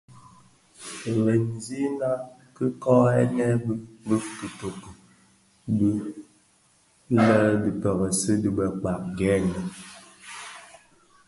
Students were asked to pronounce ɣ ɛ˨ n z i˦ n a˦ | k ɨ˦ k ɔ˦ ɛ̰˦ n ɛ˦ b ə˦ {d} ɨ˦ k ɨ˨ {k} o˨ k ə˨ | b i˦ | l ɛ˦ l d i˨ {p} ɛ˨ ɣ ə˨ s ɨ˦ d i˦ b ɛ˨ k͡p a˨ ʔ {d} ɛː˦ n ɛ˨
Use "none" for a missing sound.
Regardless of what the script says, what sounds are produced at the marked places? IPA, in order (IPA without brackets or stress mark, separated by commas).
b, t, p, ɡ